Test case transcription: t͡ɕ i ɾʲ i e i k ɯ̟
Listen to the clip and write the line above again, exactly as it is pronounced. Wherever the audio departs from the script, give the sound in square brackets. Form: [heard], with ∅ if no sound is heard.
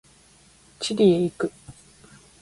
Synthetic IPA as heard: t͡ɕ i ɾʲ i e i k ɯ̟